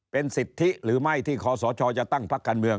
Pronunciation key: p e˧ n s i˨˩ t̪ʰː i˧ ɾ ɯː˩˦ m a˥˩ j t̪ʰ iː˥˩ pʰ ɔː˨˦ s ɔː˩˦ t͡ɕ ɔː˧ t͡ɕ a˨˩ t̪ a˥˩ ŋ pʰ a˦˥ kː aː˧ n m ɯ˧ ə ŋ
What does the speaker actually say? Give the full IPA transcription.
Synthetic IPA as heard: p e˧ n s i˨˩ t̪ʰː i˦˥ ɾ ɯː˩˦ m a˥˩ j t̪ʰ iː˥˩ kʰ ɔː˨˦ s ɔː˩˦ t͡ɕʰ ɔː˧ t͡ɕ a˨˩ t̪ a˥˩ ŋ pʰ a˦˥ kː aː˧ n m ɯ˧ ə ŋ